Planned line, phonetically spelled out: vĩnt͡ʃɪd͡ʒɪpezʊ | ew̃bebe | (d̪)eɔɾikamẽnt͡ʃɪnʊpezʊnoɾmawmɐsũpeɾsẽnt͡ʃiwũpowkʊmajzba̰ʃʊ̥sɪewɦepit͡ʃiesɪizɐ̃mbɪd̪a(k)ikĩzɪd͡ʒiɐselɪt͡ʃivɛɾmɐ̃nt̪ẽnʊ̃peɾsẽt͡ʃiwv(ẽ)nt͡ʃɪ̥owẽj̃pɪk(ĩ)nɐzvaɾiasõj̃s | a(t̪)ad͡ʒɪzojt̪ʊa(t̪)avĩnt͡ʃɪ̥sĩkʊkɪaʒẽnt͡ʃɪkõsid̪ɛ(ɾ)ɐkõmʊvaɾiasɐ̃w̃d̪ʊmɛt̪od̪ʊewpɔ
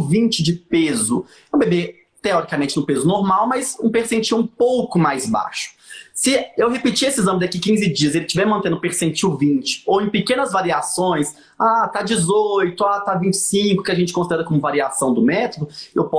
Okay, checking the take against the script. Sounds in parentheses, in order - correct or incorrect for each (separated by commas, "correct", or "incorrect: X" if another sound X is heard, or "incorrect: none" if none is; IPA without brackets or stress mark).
incorrect: t̪, correct, incorrect: ĩ, incorrect: ẽ, correct, correct, correct